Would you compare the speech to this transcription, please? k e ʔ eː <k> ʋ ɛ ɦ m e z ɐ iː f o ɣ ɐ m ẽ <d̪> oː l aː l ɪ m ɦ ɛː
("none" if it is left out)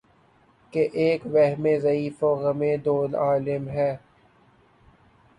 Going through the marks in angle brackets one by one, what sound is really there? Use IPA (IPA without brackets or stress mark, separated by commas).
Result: k, d̪